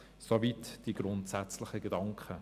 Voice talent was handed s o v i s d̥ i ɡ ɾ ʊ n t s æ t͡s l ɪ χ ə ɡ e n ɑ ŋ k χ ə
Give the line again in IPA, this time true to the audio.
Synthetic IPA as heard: s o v i t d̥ i ɡ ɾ ʊ n t s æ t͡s l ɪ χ ə ɡ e d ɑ ŋ k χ ə